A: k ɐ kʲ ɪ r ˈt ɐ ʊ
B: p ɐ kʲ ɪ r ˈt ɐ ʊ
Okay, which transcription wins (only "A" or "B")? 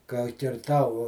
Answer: A